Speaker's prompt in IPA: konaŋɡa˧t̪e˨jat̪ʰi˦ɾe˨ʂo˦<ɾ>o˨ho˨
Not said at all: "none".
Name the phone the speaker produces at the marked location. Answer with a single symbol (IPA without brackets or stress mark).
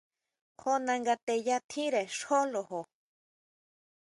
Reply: l